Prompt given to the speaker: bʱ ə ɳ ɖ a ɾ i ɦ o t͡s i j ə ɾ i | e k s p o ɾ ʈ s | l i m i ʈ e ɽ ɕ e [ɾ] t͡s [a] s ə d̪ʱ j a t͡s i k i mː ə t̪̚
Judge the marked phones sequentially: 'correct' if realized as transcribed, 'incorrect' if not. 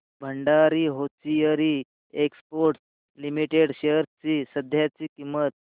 correct, incorrect

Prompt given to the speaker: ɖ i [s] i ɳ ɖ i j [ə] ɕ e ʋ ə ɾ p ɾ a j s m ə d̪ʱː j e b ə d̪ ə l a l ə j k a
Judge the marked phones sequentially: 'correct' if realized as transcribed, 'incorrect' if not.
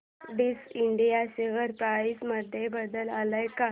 correct, incorrect

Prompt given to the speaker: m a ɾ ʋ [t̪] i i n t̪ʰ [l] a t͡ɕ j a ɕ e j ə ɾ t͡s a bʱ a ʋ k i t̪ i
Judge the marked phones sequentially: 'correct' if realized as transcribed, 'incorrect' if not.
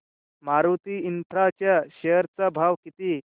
correct, incorrect

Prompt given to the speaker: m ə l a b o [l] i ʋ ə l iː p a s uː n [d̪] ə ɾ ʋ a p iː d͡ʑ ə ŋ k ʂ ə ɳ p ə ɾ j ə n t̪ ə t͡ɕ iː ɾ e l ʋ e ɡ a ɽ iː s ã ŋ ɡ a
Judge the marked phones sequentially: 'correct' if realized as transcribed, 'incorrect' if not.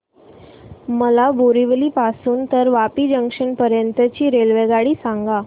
incorrect, incorrect

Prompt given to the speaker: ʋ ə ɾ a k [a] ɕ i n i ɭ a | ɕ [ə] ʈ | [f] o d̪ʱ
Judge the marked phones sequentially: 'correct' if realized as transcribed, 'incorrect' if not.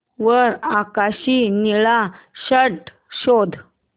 correct, correct, incorrect

